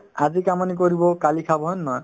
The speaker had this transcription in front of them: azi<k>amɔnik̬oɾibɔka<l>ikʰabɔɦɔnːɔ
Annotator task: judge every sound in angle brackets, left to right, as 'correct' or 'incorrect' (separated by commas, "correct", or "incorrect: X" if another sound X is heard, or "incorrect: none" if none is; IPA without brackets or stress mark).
correct, correct